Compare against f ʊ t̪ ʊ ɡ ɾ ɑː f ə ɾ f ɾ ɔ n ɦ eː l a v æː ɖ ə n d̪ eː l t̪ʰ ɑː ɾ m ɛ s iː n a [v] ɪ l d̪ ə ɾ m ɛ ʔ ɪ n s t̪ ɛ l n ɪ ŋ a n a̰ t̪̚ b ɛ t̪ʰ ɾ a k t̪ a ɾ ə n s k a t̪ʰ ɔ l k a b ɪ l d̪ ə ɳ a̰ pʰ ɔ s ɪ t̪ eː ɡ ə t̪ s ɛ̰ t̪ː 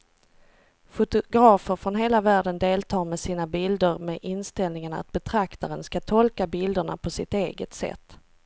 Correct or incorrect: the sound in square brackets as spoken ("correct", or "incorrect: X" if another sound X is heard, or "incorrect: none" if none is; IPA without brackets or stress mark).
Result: incorrect: b